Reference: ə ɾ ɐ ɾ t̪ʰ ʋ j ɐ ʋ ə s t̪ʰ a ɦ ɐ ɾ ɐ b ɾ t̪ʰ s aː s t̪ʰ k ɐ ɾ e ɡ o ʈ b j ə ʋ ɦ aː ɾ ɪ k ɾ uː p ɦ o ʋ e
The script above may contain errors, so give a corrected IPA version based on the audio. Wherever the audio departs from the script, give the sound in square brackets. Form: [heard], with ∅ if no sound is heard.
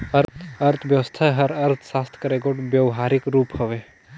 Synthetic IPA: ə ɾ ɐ ɾ t̪ʰ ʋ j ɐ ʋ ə s t̪ʰ a ɦ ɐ ɾ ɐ [∅] ɾ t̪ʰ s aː s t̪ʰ k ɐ ɾ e ɡ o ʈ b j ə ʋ ɦ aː ɾ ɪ k ɾ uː p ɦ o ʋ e

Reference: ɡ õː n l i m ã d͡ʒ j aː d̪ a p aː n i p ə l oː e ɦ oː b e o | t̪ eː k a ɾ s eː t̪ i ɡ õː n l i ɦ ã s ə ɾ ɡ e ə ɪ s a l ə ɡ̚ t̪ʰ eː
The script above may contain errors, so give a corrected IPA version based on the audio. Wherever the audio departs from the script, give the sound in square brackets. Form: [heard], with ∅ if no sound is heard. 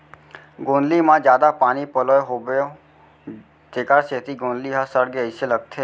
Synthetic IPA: ɡ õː n l i m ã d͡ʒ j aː d̪ a p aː n i p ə l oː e ɦ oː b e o | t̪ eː k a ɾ s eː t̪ i ɡ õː n l i ɦ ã s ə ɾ ɡ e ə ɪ s [e] l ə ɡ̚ t̪ʰ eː

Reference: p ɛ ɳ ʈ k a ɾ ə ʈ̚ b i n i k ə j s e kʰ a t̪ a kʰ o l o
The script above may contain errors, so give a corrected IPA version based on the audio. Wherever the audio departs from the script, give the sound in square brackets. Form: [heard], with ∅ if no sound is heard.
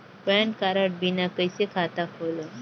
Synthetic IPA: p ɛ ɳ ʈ k a ɾ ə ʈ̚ b i n [a] k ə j s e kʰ a t̪ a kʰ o l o

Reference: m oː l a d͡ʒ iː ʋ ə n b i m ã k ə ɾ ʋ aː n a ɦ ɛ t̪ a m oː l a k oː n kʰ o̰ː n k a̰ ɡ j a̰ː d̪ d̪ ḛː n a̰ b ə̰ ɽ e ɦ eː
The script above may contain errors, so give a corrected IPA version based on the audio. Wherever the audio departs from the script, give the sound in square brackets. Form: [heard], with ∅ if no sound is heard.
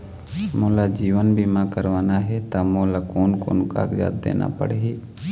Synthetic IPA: m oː l a d͡ʒ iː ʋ ə n b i m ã k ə ɾ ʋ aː n a ɦ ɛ t̪ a m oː l a k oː n [k] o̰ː n k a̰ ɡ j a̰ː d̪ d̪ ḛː n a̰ [p] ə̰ ɽ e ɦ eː

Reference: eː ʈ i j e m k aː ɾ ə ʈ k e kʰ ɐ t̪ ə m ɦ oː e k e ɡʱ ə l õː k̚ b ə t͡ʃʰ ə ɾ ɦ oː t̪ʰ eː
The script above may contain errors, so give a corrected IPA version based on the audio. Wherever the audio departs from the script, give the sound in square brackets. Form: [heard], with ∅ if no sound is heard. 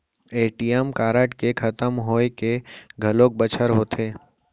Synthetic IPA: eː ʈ i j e m k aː ɾ ə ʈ k e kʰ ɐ t̪ ə m ɦ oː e k e ɡʱ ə l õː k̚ b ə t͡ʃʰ ə ɾ ɦ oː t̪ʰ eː

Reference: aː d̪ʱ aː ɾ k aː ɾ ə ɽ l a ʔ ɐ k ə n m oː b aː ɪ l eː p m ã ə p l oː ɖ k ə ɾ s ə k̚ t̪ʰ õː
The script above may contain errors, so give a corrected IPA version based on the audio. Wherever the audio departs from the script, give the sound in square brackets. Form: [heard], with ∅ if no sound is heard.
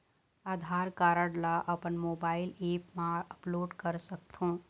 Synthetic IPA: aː d̪ʱ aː ɾ k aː ɾ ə ɽ l a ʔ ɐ [p] ə n m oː b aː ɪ l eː p m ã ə p l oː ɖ k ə ɾ s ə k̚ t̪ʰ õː

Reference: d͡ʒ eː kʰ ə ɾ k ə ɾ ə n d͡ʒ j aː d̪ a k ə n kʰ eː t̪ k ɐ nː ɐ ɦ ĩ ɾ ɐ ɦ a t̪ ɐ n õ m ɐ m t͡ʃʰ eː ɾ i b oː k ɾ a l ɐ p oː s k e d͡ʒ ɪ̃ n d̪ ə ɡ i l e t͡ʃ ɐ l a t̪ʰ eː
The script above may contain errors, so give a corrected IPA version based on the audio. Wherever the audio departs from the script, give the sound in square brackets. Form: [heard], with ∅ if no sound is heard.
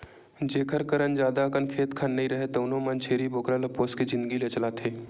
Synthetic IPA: d͡ʒ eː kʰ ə ɾ k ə ɾ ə n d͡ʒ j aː d̪ a k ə n kʰ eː t̪ [kʰ] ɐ nː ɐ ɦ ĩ ɾ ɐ ɦ [e] t̪ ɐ n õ m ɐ [n] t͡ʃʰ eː ɾ i b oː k ɾ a l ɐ p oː s k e d͡ʒ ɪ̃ n d̪ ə ɡ i l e t͡ʃ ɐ l a t̪ʰ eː

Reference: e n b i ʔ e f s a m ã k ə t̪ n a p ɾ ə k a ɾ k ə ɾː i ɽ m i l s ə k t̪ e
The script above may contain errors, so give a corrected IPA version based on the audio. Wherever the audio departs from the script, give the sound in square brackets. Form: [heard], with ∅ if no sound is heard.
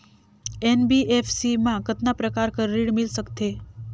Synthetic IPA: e n b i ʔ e f s [i] m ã k ə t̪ n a p ɾ ə k a ɾ k ə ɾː i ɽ m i l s ə k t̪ e

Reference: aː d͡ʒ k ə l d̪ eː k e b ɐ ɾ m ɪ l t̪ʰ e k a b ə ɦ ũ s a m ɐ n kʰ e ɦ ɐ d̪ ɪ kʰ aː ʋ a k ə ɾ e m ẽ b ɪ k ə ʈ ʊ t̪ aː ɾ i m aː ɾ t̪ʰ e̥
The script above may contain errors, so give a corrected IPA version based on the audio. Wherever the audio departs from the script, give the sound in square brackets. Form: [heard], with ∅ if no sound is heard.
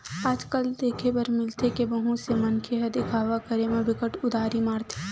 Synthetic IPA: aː d͡ʒ k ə l d̪ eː [kʰ] e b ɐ ɾ m ɪ l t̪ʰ e k [e] b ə ɦ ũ s [e] m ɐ n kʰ e ɦ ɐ d̪ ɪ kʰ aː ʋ a k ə ɾ e m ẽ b ɪ k ə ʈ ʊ [d̪] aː ɾ i m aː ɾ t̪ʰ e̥

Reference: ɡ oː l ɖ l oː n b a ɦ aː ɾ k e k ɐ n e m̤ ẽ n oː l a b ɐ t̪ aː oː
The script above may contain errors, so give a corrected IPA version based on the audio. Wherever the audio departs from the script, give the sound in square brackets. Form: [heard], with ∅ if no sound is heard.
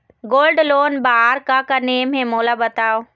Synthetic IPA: ɡ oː l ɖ l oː n b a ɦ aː ɾ k [a] k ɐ n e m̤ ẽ [m] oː l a b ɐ t̪ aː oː

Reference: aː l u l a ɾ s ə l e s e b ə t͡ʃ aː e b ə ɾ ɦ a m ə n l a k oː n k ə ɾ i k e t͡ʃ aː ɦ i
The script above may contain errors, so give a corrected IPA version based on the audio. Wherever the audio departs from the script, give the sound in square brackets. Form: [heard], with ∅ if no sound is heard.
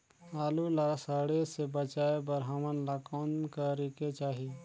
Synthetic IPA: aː l u l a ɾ s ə [ɽ] e s e b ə t͡ʃ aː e b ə ɾ ɦ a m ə n l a k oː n k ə ɾ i k e t͡ʃ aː ɦ i

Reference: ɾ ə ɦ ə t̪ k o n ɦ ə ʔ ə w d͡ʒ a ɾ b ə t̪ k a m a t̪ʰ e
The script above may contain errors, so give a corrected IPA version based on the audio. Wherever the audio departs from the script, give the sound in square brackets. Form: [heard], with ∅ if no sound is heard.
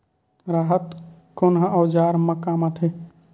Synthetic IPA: ɾ [a] ɦ ə t̪ k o n ɦ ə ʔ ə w d͡ʒ a ɾ [m] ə [∅] k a m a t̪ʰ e

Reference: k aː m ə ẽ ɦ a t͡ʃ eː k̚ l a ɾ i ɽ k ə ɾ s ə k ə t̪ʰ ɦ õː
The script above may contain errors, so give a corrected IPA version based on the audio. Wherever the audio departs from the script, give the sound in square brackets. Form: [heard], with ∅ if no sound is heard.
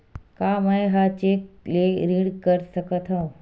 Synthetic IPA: k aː m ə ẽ ɦ a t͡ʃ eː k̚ l [e] ɾ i ɽ k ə ɾ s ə k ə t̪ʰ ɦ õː

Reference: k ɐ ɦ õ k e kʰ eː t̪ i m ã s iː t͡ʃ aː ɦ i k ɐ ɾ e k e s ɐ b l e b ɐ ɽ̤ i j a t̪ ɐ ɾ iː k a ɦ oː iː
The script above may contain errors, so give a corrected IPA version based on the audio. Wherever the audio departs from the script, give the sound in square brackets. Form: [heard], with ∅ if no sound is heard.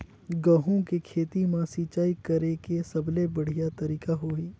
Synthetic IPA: [ɡ] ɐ ɦ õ k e kʰ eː t̪ i m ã s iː t͡ʃ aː [∅] i k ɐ ɾ e k e s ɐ b l e b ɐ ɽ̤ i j a t̪ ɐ ɾ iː k a ɦ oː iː

